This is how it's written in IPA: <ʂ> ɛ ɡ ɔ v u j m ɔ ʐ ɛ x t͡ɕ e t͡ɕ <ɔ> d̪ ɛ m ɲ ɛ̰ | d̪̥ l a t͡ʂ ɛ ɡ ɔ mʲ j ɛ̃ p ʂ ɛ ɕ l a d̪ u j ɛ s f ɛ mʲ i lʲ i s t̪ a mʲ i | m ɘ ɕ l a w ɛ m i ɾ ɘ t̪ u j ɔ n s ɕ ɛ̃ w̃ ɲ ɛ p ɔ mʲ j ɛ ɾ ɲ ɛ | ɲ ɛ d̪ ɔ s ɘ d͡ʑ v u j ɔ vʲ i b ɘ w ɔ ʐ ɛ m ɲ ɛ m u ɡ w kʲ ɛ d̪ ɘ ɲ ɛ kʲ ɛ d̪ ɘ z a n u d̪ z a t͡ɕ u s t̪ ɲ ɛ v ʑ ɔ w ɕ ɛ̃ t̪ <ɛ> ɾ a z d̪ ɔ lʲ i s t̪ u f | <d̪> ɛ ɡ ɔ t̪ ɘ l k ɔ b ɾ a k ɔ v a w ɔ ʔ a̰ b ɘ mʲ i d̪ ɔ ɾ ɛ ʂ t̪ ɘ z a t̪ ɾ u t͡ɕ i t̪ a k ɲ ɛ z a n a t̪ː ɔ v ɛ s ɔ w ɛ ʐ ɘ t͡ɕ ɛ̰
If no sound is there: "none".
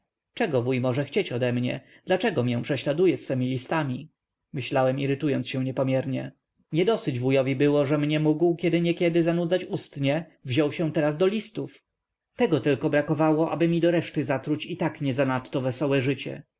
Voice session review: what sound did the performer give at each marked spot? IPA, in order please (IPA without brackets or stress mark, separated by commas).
t͡ʂ, ɔ, ɛ, t̪